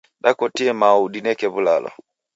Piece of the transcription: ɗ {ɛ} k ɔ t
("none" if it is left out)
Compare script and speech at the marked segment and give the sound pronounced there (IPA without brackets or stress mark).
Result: a